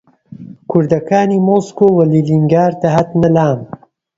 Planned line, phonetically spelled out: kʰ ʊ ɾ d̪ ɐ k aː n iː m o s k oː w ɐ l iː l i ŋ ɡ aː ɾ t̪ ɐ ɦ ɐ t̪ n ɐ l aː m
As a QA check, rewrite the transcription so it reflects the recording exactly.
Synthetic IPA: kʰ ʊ ɾ d̪ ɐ k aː n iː m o s k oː w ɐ l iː l i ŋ ɡ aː ɾ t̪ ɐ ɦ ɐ t̪ n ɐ l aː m